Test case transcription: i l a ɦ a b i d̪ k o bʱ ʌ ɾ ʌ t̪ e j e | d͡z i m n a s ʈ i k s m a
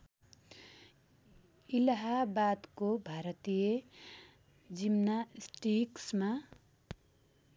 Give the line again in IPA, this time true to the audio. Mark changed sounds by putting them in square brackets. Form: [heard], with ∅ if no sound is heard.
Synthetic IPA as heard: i l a ɦ a b [a] d̪ k o bʱ [a] ɾ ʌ t̪ [i] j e | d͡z i m n a s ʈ i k s m a